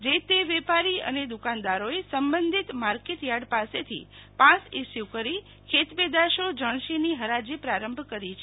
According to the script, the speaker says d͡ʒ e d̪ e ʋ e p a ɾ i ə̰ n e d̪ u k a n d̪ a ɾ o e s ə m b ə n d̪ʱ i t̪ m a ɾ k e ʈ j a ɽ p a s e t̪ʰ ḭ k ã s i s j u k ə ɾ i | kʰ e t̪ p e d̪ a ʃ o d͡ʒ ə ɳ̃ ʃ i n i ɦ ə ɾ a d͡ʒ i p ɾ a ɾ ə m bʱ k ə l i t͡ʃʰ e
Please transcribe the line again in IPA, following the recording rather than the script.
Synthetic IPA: d͡ʒ e t̪ e ʋ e p a ɾ i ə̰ n e d̪ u k a n d̪ a ɾ o e s ə m b ə n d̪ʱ i t̪ m a ɾ k e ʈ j a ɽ p a s e t̪ʰ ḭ p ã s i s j u k ə ɾ i | kʰ e t̪ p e d̪ a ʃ o d͡ʒ ə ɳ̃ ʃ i n i ɦ ə ɾ a d͡ʒ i p ɾ a ɾ ə m bʱ k ə ɾ i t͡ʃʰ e